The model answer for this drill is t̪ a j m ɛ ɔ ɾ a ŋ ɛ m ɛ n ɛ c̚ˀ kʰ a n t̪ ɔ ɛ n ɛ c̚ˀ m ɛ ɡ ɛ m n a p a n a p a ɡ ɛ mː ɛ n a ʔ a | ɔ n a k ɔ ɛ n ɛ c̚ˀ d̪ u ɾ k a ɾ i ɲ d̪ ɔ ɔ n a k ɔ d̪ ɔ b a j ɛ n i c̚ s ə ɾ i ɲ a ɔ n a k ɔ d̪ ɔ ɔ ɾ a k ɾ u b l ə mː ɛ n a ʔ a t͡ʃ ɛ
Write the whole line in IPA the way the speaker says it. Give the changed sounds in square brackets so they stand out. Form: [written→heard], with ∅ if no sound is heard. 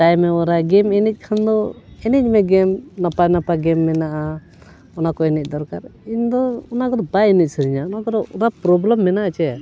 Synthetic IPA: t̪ a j m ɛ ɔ ɾ a [ŋ→ɡ] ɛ m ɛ n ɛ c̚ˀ kʰ a n [t̪→d̪] ɔ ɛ n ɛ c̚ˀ m ɛ ɡ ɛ m n a p a n a p a ɡ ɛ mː ɛ n a ʔ a | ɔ n a k ɔ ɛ n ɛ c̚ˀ d̪ [u→ɔ] ɾ k a ɾ i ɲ d̪ ɔ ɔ n a k ɔ d̪ ɔ b a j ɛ n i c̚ s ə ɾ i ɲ a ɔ n a k ɔ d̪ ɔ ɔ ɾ a [k→p] ɾ [u→ɔ] b l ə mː ɛ n a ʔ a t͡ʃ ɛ